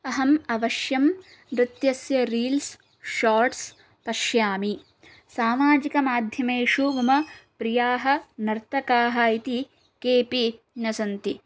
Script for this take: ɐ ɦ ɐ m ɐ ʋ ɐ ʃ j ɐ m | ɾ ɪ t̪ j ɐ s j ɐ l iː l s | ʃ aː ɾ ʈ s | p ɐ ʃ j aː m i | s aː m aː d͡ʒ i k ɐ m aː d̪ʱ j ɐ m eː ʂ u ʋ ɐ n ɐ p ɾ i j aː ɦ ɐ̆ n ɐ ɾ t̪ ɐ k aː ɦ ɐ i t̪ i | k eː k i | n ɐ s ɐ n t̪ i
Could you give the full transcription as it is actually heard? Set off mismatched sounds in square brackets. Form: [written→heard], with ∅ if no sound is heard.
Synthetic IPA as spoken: ɐ ɦ ɐ m ɐ ʋ ɐ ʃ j ɐ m | ɾ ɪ t̪ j ɐ s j ɐ [l→ɾ] iː l s | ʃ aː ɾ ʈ s | p ɐ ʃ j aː m i | s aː m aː d͡ʒ i k ɐ m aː d̪ʱ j ɐ m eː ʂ u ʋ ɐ [n→m] ɐ p ɾ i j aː ɦ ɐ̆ n ɐ ɾ t̪ ɐ k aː ɦ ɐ i t̪ i | k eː [k→p] i | n ɐ s ɐ n t̪ i